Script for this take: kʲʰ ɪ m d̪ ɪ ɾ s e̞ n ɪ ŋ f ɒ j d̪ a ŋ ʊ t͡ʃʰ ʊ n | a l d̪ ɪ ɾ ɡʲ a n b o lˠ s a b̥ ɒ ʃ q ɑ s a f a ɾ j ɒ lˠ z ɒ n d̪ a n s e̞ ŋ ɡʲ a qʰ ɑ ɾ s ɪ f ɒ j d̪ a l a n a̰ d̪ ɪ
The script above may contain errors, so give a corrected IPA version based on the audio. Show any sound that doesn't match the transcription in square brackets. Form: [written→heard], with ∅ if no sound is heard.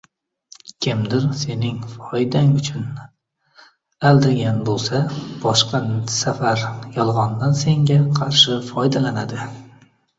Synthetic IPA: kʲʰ ɪ m d̪ ɪ ɾ s e̞ n ɪ ŋ f ɒ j d̪ a ŋ ʊ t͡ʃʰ ʊ n | a l d̪ ɪ ɾ ɡʲ a n b o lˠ s a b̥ ɒ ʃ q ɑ s a f a ɾ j ɒ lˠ [z→ʁ] ɒ n d̪ a n s e̞ ŋ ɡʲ a qʰ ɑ ɾ [s→ʃ] ɪ f ɒ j d̪ a l a n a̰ d̪ ɪ